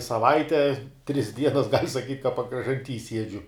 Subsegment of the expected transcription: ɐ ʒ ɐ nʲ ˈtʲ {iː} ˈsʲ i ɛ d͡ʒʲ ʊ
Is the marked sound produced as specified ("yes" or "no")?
yes